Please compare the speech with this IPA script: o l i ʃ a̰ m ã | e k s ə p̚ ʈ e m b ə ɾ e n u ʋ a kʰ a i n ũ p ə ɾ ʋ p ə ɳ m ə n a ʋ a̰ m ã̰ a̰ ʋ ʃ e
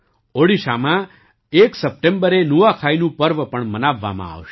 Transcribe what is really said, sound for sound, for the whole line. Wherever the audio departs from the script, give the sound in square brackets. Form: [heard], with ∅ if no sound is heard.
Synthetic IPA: o [ɽ] i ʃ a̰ m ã | e k s ə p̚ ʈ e m b ə ɾ e n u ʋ a kʰ a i n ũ p ə ɾ ʋ p ə ɳ m ə n a [ʋː] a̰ m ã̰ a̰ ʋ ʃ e